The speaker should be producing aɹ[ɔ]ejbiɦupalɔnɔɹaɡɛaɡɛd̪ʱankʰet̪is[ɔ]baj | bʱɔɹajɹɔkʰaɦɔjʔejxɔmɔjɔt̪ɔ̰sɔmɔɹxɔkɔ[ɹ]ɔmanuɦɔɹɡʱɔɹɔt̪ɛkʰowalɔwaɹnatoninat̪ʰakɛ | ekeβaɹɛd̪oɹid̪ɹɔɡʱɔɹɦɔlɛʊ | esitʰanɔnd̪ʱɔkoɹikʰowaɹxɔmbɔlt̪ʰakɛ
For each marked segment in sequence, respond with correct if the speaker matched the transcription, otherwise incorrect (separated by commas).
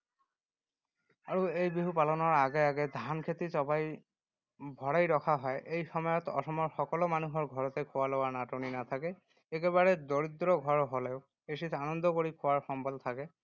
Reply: incorrect, correct, incorrect